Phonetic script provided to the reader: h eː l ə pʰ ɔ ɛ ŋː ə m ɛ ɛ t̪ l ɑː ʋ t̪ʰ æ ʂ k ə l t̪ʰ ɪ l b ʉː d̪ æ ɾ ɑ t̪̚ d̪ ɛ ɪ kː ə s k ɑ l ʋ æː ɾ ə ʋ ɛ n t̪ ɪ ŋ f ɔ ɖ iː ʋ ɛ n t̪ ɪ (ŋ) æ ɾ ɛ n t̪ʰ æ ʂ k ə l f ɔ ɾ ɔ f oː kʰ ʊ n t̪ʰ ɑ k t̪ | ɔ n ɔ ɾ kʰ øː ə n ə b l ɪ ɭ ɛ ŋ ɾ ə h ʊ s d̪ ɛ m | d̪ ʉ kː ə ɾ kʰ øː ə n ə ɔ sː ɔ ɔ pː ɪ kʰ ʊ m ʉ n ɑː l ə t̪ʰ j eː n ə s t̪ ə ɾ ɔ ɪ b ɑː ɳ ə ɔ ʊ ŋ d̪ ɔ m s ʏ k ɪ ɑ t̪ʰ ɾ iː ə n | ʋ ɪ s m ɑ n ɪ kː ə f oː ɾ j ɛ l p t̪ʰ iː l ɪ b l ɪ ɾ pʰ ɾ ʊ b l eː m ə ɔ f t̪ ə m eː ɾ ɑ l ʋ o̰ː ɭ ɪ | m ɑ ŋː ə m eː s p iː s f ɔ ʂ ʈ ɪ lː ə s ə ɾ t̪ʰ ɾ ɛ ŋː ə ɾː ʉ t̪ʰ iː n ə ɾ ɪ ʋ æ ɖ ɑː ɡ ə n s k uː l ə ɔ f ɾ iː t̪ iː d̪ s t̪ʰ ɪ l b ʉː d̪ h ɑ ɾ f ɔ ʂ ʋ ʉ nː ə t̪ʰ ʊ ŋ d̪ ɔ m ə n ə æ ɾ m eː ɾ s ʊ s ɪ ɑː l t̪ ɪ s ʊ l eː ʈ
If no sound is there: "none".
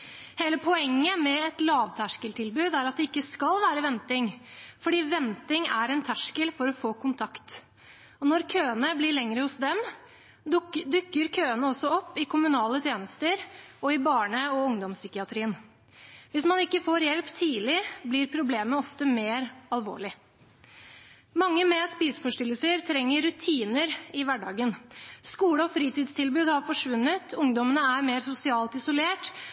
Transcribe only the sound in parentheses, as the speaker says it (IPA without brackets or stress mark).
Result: ŋ